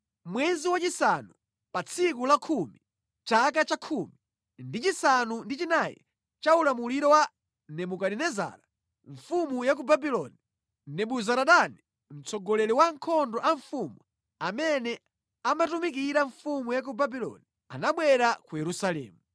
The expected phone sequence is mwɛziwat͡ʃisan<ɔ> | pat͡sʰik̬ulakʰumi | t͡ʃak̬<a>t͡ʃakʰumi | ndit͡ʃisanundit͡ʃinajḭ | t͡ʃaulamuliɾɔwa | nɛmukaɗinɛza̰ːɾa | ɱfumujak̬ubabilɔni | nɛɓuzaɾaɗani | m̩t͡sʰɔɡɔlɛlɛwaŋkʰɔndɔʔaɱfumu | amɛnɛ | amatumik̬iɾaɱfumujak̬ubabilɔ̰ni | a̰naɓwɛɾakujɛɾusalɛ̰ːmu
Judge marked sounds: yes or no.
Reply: no, yes

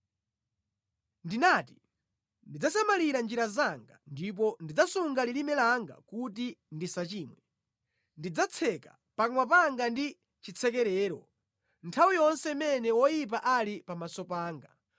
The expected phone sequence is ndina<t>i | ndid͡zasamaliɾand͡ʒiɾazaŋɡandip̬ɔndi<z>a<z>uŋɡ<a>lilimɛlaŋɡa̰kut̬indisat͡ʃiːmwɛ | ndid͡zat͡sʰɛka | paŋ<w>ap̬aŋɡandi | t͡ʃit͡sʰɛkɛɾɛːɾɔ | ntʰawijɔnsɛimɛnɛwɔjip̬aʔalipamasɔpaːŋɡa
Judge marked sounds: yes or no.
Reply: yes, no, no, yes, yes

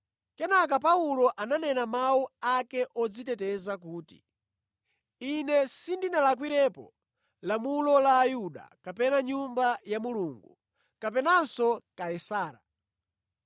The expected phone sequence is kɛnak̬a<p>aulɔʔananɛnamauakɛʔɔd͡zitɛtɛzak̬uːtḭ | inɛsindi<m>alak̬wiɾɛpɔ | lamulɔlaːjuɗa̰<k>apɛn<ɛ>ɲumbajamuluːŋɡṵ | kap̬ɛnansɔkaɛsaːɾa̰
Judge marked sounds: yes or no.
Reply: yes, no, yes, no

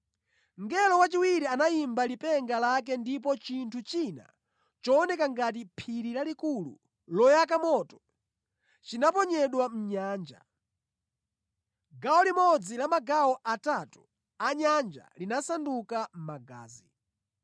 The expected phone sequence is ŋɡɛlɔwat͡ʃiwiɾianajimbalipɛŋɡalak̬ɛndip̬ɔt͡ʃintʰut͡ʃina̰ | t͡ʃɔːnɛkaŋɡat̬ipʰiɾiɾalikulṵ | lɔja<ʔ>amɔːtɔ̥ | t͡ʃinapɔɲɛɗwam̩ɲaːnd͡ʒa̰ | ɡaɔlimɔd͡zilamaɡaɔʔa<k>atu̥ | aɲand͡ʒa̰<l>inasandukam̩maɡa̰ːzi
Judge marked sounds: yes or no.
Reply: no, no, yes

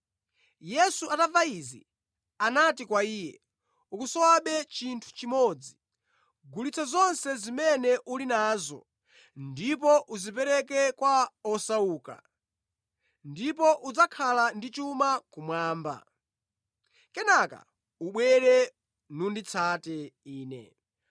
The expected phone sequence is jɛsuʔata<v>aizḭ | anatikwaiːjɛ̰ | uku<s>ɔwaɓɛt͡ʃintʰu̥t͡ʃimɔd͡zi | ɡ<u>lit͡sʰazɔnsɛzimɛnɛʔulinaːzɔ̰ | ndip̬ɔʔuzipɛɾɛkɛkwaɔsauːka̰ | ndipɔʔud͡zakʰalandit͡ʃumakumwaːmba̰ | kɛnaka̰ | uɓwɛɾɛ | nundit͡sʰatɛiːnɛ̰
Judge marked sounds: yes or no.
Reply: yes, yes, yes

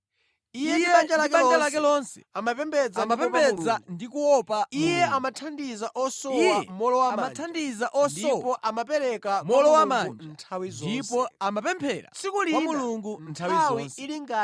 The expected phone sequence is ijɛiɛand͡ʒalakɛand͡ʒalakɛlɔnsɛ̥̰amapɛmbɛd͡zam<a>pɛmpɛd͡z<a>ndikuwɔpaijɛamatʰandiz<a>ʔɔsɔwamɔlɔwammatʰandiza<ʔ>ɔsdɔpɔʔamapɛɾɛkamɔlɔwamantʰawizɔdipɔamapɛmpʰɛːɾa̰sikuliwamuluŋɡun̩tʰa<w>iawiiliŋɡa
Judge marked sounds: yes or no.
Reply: yes, yes, yes, yes, yes

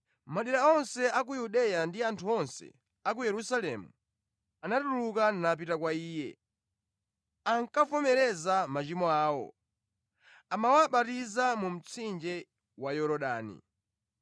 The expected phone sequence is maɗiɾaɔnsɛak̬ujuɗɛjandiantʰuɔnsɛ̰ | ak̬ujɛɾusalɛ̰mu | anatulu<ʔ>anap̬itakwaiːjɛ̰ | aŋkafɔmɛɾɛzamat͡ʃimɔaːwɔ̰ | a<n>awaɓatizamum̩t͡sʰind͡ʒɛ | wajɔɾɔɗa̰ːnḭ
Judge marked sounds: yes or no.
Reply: no, no

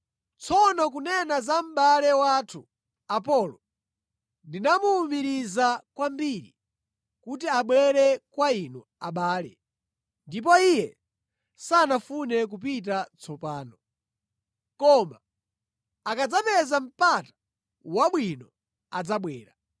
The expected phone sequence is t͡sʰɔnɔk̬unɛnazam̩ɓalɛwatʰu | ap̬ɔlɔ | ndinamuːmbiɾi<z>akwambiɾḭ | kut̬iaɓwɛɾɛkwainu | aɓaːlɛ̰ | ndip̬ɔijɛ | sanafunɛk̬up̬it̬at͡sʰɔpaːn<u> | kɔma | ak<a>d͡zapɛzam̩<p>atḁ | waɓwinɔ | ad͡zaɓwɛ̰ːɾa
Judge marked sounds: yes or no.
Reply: yes, no, yes, yes

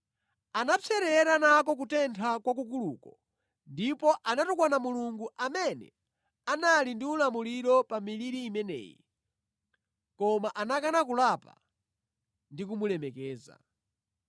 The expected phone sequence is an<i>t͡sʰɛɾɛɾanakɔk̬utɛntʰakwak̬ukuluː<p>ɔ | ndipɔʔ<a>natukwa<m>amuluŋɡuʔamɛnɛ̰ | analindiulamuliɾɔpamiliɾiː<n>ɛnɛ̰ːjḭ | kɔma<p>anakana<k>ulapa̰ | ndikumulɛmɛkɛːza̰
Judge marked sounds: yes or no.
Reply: no, no, yes, no, no, no, yes

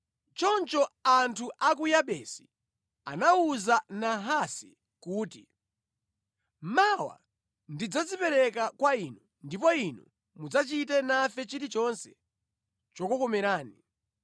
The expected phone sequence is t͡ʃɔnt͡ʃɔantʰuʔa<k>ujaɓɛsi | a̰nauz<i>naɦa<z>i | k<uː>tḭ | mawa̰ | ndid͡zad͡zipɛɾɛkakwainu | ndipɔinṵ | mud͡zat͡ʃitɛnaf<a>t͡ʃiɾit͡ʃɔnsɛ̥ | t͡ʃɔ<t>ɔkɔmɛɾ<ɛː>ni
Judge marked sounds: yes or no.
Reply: yes, no, no, yes, no, no, no

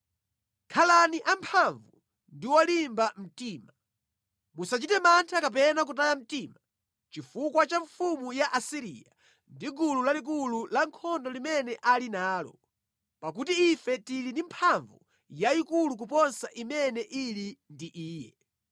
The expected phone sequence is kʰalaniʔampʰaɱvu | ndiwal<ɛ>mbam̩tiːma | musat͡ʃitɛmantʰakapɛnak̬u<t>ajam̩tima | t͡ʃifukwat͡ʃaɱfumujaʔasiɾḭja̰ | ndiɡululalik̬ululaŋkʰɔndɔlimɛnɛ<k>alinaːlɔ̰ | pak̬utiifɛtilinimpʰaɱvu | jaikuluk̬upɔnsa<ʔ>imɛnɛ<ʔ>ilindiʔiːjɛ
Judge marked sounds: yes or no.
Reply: no, yes, no, yes, yes

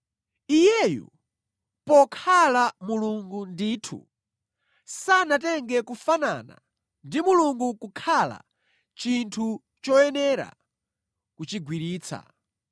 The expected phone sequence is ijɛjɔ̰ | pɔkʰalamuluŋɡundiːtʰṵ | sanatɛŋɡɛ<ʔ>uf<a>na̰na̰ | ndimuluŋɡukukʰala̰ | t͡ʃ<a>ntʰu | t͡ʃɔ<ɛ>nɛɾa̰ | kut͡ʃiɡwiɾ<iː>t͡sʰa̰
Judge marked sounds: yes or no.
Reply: no, yes, no, yes, yes

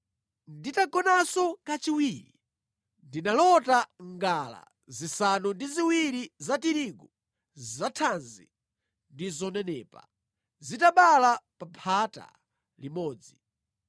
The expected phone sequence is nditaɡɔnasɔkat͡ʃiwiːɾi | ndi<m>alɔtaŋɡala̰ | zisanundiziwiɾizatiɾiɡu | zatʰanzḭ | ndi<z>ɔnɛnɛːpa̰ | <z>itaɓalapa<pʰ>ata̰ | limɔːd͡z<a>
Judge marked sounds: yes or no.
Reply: no, yes, yes, yes, no

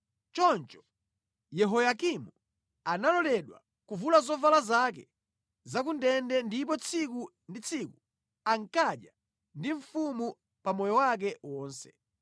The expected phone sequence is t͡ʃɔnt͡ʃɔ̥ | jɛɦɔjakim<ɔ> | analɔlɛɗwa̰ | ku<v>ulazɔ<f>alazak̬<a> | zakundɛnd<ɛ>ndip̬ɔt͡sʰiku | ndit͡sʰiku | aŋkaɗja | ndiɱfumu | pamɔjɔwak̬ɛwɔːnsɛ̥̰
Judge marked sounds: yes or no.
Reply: no, yes, no, no, yes

